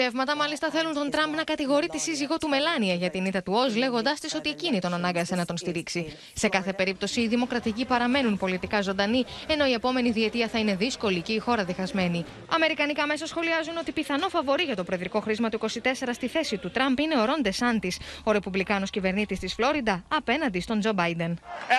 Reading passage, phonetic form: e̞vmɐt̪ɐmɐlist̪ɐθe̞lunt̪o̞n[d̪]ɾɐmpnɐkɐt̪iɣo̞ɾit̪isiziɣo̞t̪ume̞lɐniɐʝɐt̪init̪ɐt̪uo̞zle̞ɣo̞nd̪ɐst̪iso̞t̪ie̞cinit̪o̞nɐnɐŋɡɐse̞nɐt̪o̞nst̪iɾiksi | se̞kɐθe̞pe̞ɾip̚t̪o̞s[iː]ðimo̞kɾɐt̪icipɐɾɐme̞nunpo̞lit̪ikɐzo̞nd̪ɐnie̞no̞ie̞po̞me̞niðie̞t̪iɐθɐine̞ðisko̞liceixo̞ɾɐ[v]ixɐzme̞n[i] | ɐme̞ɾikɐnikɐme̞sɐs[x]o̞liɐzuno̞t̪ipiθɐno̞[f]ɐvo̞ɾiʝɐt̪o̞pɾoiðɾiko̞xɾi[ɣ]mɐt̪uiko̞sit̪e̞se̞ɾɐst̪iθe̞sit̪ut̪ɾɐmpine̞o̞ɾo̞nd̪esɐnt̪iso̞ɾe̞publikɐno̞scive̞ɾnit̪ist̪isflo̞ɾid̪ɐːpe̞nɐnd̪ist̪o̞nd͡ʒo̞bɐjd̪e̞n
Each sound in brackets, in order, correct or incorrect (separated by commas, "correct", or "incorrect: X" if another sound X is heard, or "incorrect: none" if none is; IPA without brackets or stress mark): incorrect: t̪, correct, incorrect: ð, correct, correct, correct, incorrect: z